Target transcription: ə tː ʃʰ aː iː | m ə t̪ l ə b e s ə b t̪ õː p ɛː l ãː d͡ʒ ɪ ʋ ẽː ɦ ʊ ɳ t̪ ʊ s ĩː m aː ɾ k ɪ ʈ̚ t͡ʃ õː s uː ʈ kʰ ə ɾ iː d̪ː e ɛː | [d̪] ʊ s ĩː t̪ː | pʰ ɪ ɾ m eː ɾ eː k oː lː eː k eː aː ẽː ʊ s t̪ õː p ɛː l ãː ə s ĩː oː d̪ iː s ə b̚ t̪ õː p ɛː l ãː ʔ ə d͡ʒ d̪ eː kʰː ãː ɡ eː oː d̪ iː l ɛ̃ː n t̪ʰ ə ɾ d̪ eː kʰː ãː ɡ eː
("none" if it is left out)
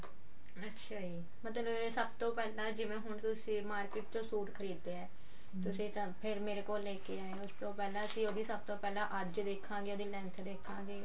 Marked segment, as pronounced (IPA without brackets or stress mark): t̪